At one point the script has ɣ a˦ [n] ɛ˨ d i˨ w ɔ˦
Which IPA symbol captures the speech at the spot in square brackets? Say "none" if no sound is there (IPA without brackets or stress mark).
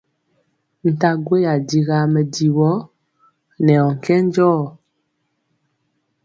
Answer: m